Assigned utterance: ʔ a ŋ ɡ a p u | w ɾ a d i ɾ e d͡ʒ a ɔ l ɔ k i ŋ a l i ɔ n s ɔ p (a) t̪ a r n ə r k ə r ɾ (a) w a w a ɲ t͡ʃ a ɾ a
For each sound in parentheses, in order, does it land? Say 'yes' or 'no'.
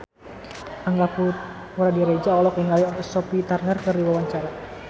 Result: no, no

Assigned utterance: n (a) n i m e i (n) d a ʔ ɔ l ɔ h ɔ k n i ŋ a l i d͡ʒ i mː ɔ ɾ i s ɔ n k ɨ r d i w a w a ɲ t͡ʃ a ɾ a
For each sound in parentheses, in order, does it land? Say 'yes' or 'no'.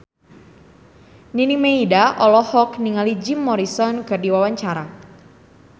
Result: no, no

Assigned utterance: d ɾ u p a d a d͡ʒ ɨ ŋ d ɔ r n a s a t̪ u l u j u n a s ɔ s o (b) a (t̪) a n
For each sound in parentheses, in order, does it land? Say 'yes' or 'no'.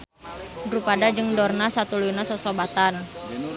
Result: yes, yes

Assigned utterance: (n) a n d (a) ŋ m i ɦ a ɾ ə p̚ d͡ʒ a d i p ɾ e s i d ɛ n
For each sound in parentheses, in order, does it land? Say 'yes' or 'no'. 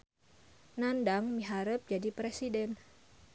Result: yes, yes

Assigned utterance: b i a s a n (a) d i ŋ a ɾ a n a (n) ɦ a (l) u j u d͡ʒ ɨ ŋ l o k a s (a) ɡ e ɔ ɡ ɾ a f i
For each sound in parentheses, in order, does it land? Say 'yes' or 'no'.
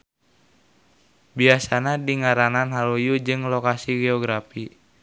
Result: yes, yes, yes, no

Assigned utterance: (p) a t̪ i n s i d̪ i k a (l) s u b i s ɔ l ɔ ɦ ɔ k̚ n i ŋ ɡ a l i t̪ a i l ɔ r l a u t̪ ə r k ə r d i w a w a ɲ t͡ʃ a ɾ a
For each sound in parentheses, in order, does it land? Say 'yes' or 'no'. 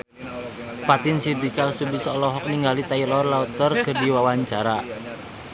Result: yes, yes

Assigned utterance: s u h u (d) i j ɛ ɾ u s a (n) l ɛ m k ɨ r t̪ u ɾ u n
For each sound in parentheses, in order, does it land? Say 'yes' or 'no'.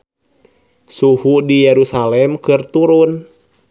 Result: yes, no

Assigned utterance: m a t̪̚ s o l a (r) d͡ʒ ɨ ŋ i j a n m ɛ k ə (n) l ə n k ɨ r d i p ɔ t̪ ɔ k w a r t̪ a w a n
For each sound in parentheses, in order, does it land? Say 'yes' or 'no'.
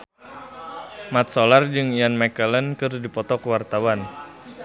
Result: yes, no

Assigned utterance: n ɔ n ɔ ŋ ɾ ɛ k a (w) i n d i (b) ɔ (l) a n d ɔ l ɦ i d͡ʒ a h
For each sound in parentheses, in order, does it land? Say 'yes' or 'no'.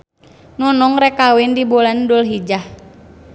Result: yes, yes, yes

